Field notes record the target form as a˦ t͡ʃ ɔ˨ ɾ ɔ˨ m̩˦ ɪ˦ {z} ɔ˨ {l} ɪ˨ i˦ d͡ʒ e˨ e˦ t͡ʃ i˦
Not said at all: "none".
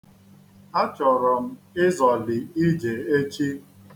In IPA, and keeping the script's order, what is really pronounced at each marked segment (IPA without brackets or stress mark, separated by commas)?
z, l